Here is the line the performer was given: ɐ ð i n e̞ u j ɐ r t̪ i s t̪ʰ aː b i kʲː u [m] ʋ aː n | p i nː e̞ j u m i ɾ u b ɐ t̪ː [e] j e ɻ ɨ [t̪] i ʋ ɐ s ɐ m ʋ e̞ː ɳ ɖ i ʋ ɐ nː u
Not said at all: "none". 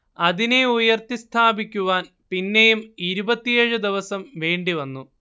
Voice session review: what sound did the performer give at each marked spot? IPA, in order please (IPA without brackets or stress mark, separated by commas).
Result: none, i, d̪